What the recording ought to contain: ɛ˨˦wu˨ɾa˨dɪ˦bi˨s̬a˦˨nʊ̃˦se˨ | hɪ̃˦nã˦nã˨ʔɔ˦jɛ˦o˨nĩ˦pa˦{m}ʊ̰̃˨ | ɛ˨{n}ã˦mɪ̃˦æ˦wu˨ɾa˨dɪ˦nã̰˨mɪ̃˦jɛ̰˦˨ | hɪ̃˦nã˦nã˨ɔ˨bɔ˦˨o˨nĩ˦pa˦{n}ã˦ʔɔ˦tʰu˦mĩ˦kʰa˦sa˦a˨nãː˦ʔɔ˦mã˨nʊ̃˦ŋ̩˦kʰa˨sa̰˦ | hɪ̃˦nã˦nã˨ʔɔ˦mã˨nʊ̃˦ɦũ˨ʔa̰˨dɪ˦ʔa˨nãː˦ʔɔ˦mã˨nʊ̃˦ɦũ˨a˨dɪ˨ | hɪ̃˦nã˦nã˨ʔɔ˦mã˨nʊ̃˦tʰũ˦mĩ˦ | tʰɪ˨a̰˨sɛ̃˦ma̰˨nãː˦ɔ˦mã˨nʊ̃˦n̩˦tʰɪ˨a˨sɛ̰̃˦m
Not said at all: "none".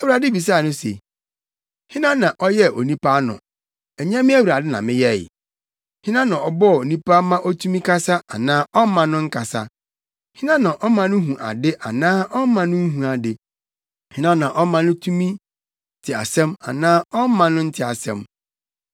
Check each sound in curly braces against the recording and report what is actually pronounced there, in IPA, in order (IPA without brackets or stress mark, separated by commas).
n, ɲ, m